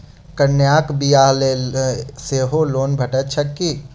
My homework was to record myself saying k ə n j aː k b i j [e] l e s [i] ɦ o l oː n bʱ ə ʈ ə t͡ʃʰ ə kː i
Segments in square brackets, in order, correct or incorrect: incorrect, incorrect

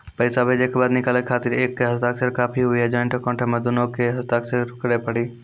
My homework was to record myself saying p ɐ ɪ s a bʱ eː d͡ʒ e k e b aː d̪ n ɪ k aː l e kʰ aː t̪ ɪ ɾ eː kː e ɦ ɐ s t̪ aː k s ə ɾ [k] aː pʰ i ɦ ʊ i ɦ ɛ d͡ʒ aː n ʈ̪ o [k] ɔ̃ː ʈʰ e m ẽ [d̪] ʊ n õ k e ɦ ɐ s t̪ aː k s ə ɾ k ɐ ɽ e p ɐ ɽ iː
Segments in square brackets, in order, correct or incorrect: correct, correct, correct

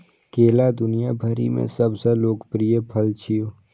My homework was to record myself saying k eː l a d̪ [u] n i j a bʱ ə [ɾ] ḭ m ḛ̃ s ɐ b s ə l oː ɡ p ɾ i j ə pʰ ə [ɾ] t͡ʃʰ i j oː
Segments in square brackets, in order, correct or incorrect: incorrect, correct, incorrect

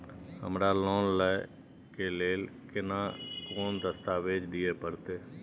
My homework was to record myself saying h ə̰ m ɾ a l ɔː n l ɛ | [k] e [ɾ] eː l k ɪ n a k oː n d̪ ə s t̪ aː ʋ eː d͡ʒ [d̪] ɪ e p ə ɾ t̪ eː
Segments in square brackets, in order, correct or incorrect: correct, incorrect, correct

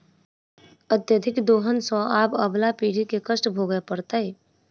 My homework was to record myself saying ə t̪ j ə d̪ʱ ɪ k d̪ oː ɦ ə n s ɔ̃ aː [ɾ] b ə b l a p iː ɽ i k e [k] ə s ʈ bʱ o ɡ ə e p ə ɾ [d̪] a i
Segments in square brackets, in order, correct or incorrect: incorrect, correct, incorrect

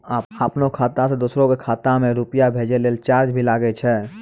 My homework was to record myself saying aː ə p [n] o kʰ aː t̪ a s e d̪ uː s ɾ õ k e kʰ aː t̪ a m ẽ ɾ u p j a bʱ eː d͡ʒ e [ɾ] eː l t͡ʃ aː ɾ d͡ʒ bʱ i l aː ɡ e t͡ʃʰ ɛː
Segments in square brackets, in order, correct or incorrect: correct, incorrect

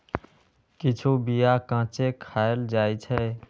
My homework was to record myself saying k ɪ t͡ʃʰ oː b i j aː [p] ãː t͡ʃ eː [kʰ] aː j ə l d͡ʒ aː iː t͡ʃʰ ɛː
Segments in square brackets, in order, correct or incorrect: incorrect, correct

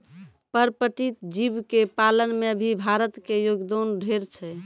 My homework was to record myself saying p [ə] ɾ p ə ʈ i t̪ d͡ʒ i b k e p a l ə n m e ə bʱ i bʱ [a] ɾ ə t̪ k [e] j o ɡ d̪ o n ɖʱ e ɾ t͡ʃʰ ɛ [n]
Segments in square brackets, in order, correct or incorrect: correct, correct, correct, incorrect

